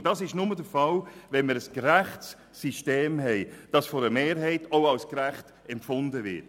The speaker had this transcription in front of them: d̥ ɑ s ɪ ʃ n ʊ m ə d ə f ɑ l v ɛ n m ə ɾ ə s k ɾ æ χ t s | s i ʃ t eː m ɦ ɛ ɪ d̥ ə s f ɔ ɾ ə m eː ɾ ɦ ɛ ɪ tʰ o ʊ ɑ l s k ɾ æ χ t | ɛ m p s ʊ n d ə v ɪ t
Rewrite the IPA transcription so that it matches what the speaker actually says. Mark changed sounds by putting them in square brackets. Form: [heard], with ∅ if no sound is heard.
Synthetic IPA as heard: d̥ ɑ s ɪ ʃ n ʊ m ə d ə f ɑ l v ɛ n m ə ɾ ə s k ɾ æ χ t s | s i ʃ t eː m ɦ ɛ ɪ d̥ [ɑ] s f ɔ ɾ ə m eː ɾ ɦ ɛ ɪ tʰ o ʊ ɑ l s k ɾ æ χ t | ɛ m p [f] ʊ n d ə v ɪ t